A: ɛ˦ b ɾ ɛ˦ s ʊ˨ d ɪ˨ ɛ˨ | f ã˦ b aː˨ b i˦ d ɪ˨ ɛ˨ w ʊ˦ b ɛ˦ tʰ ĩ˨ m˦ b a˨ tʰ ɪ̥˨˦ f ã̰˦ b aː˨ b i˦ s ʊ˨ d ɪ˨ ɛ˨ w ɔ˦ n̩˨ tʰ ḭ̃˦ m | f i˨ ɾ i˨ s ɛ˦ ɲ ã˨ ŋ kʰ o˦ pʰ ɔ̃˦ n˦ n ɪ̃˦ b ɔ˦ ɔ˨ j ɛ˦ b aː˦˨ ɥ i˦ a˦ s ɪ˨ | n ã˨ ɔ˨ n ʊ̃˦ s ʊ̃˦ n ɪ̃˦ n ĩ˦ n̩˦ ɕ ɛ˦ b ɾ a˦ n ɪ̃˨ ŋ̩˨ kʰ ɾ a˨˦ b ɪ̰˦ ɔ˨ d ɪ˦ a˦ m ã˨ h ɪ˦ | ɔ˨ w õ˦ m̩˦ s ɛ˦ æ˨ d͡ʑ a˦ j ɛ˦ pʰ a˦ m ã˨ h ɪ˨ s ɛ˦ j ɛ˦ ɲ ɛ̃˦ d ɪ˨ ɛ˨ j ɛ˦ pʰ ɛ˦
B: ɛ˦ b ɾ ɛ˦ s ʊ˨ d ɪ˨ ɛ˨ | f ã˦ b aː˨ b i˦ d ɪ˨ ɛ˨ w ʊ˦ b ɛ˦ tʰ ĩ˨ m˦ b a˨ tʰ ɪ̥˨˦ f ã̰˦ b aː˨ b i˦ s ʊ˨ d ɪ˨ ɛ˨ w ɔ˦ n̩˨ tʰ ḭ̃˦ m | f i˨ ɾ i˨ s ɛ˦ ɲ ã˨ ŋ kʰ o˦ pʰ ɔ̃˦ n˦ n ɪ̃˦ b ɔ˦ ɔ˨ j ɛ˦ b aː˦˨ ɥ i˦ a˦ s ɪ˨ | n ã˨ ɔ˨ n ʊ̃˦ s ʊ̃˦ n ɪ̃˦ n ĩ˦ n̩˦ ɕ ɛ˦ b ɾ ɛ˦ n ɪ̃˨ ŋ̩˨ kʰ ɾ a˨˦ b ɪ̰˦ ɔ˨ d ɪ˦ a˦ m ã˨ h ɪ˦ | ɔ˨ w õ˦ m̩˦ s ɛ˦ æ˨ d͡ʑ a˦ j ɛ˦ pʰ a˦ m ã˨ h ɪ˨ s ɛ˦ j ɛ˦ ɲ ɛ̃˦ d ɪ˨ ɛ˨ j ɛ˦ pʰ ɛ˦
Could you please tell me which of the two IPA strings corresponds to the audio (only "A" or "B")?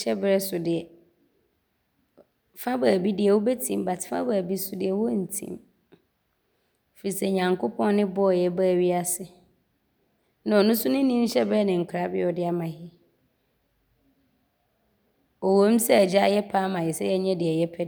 B